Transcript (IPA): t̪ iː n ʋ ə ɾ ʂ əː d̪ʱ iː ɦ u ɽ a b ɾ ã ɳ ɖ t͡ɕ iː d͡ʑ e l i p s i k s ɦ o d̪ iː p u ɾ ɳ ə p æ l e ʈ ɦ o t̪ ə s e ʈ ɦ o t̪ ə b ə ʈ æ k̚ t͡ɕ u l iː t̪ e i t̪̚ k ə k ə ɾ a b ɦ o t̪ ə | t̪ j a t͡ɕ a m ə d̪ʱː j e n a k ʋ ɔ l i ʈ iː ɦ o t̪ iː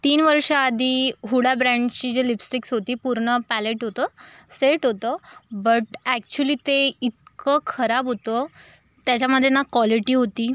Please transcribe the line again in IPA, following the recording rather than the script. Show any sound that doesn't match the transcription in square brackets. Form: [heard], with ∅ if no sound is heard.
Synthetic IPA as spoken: t̪ iː n ʋ ə ɾ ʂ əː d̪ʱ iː ɦ u ɽ a b ɾ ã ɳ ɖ t͡ɕ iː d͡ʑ e l i p s i k s ɦ o [t̪] iː p u ɾ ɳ ə p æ l e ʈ ɦ o t̪ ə s e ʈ ɦ o t̪ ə b ə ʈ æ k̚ t͡ɕ u l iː t̪ e i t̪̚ k ə [kʰ] ə ɾ a b ɦ o t̪ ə | t̪ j a t͡ɕ a m ə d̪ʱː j e n a k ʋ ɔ l i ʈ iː ɦ o t̪ iː